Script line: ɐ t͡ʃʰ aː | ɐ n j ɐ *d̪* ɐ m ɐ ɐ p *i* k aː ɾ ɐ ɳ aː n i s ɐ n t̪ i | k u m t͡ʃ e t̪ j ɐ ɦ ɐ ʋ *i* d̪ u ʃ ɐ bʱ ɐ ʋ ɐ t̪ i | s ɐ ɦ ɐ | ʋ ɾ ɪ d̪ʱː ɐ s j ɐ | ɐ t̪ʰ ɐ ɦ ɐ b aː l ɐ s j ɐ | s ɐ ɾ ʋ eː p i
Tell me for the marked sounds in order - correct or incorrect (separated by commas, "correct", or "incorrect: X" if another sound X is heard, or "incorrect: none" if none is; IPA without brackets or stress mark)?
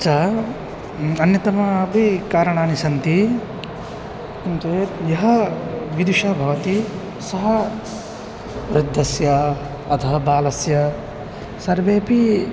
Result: incorrect: t̪, correct, correct